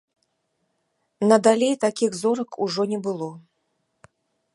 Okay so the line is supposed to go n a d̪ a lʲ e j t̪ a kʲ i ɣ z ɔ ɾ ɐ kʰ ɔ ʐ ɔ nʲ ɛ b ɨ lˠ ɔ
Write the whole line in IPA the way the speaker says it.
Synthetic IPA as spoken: n ɐ d̪ a lʲ e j t̪ a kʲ i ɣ z ɔ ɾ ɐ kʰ u ʐ ɔ nʲ ɛ b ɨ lˠ ɔ